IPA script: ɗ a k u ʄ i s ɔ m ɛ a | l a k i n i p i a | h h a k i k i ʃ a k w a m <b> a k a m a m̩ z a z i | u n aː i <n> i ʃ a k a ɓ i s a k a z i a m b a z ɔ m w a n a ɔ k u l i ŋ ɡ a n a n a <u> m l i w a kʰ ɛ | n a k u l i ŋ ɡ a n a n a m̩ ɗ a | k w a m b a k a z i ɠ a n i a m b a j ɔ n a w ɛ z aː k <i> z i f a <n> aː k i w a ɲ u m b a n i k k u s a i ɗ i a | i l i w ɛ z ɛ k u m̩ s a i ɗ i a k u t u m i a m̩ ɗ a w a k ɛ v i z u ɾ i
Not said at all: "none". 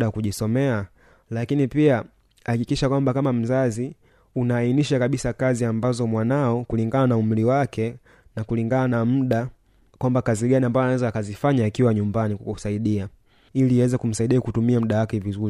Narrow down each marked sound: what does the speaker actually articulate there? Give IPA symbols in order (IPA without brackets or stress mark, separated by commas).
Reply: b, n, u, a, ɲ